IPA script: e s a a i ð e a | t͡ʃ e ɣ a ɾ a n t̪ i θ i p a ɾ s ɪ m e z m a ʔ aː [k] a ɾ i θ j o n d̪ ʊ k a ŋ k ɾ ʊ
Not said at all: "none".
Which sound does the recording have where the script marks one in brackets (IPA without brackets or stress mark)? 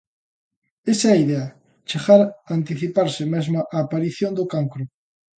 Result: p